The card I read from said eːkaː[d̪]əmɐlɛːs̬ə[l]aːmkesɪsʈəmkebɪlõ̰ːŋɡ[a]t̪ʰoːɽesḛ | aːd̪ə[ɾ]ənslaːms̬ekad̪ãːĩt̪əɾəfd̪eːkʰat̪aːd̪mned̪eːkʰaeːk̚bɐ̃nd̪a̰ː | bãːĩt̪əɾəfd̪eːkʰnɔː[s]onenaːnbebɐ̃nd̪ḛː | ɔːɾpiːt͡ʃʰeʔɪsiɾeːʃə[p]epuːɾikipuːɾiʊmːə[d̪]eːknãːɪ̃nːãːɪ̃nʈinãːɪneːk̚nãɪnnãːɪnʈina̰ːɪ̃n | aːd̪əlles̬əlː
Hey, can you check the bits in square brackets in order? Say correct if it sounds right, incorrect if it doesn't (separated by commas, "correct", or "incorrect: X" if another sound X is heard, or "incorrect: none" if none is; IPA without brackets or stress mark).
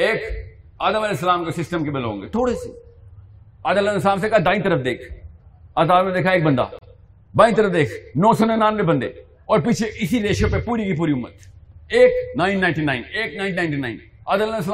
correct, correct, incorrect: e, incorrect: l, correct, correct, incorrect: t̪